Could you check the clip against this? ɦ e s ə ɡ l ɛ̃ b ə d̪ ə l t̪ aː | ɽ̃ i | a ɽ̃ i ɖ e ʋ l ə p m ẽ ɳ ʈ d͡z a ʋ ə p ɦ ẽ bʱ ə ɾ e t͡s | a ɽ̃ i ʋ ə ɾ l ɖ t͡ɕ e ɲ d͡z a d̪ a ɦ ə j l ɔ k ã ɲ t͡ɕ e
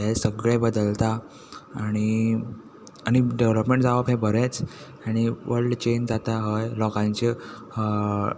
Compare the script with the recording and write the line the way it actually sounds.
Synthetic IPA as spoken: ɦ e s ə ɡ ɭ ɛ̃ b ə d̪ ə l t̪ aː | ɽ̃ i | a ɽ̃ i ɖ e ʋ l ə p m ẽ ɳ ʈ d͡z a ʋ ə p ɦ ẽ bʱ ə ɾ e t͡s | a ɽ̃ i ʋ ə ɾ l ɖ t͡ɕ e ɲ d͡z a t̪ a ɦ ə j l ɔ k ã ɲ t͡ɕ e